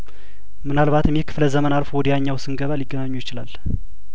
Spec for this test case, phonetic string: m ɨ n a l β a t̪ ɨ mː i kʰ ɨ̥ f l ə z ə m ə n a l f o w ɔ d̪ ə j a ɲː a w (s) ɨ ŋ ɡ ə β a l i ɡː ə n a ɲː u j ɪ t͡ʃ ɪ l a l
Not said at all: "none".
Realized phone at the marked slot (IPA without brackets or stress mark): s